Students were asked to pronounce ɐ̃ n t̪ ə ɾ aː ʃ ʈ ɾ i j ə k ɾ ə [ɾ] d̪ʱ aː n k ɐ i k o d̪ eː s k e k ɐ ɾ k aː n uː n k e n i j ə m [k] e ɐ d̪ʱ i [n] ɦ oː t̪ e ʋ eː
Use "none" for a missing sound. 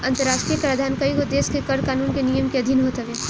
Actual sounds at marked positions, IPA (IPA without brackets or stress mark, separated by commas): none, k, n